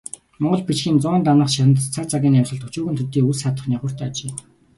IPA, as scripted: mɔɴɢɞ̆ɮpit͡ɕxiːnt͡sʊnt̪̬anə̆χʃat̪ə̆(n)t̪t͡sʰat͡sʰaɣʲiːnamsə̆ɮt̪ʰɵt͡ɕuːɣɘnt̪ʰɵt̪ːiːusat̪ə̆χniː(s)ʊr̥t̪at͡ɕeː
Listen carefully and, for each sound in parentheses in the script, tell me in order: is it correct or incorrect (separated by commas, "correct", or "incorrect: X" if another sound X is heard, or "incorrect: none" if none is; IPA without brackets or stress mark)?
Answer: correct, incorrect: χ